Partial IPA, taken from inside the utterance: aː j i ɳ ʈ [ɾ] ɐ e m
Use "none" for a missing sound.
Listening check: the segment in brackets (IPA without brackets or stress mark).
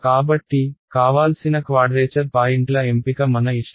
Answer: l